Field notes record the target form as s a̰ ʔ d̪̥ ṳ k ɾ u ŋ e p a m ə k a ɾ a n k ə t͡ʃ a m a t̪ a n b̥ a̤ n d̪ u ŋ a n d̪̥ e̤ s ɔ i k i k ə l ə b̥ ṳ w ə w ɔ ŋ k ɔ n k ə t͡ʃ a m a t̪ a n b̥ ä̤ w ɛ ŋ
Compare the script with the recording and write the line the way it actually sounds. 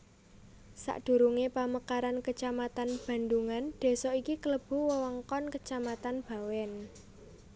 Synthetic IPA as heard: s a̰ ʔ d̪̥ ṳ ɾ u ŋ e p a m ə k a ɾ a n k ə t͡ʃ a m a t̪ a n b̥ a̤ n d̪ u ŋ a n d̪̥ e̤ s ɔ i k i k ə l ə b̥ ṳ w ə w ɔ ŋ k ɔ n k ə t͡ʃ a m a t̪ a n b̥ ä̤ w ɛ n

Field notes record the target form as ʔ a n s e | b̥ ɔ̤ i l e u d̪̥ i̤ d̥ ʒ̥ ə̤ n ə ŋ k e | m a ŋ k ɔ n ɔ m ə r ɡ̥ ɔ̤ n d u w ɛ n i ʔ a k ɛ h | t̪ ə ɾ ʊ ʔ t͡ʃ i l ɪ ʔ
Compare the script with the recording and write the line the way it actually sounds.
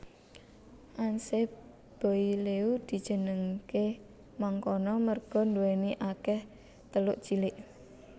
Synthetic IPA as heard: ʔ a n s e | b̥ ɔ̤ i l e u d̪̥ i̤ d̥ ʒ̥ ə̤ n ə ŋ k e | m a ŋ k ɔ n ɔ m ə r ɡ̥ ɔ̤ n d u w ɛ n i ʔ a k ɛ h | t̪ ə l ʊ ʔ t͡ʃ i l ɪ ʔ

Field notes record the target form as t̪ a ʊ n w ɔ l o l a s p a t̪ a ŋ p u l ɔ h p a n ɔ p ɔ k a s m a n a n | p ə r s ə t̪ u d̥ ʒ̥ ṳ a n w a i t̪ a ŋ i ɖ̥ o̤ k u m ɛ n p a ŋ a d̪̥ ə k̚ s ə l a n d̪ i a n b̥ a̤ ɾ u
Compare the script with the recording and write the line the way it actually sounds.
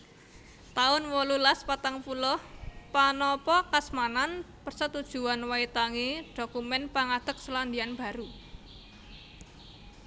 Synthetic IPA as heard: t̪ a ʊ n w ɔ l u l a s p a t̪ a ŋ p u l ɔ h p a n ɔ p ɔ k a s m a n a n | p ə r s ə t̪ u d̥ ʒ̥ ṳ a n w a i t̪ a ŋ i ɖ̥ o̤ k u m ɛ n p a ŋ a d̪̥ ə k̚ s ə l a n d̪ i a n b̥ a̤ ɾ u

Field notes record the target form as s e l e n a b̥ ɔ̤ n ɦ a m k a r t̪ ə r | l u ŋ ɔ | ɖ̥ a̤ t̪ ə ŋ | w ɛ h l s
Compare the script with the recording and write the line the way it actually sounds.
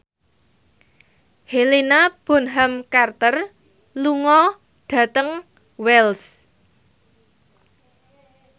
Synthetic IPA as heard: h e l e n a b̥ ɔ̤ n ɦ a m k a r t̪ ə r | l u ŋ ɔ | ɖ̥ a̤ t̪ ə ŋ | w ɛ l s

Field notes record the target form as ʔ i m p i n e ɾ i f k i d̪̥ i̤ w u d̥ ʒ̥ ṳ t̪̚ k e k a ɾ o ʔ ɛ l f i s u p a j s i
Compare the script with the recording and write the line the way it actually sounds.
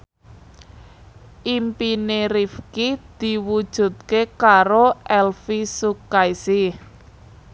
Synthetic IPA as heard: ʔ i m p i n e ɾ i f k i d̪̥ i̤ w u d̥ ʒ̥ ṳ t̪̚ k e k a ɾ o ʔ ɛ l f i s u k a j s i

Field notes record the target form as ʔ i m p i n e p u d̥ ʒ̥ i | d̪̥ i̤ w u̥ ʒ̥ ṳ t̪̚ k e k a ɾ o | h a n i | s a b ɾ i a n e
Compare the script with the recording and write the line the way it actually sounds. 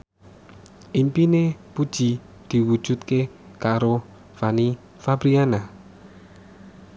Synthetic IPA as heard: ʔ i m p i n e p u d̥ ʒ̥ i | d̪̥ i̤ w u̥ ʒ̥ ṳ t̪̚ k e k a ɾ o | f a n i | f a b ɾ i a n a

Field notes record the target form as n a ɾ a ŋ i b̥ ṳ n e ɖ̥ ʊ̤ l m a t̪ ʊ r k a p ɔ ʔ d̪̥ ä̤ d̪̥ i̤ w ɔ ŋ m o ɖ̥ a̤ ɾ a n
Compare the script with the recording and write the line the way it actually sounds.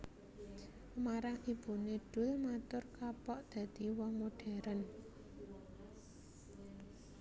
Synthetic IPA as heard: m a ɾ a ŋ i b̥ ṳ n e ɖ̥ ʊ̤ l m a t̪ ʊ r k a p ɔ ʔ d̪̥ ä̤ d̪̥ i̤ w ɔ ŋ m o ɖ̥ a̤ ɾ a n

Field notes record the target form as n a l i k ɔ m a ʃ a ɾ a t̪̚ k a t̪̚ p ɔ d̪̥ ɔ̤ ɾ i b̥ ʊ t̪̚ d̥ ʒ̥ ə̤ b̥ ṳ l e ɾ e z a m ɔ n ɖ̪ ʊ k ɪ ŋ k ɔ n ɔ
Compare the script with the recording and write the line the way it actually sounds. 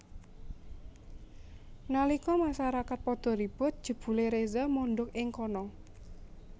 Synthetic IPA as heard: n a l i k ɔ m a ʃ a ɾ a k a t̪̚ p ɔ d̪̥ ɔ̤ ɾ i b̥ ʊ t̪̚ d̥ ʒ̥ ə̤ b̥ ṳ l e ɾ e z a m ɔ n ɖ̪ ʊ k ɪ ŋ k ɔ n ɔ

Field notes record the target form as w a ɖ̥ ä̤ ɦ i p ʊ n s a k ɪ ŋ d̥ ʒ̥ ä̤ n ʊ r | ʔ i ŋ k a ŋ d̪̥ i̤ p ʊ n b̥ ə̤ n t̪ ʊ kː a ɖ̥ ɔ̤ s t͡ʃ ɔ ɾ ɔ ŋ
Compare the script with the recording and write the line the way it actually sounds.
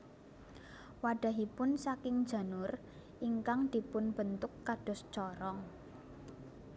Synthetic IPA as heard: w a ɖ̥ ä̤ ɦ i p ʊ n s a k ɪ ŋ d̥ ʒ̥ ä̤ n ʊ r | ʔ i ŋ k a ŋ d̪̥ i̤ p ʊ n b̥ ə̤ n t̪ ʊ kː a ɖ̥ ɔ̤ s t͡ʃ ɔ ɾ ɔ ŋ

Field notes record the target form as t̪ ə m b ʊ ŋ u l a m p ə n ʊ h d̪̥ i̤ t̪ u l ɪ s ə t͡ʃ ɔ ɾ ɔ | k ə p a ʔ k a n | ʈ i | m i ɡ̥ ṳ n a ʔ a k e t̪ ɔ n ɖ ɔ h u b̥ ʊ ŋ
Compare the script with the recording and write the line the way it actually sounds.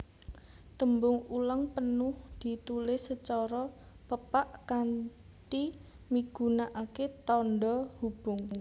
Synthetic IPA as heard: t̪ ə m b ʊ ŋ u l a ŋ p ə n ʊ h d̪̥ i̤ t̪ u l ɪ s ə t͡ʃ ɔ ɾ ɔ | p ə p a ʔ k a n | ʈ i | m i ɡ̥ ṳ n a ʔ a k e t̪ ɔ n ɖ ɔ h u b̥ ʊ ŋ

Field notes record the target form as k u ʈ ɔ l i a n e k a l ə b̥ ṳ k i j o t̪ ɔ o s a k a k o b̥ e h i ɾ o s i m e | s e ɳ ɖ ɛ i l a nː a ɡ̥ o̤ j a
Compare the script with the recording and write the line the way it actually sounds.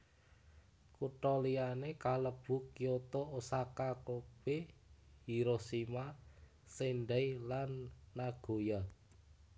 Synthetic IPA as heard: k u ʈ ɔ l i a n e k a l ə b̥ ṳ k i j o t̪ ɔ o s a k a k o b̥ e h i ɾ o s i m a | s e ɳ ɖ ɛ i l a nː a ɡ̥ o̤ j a

